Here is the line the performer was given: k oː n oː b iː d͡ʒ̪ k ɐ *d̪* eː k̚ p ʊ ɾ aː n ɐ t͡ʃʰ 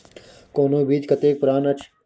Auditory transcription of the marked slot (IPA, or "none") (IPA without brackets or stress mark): t̪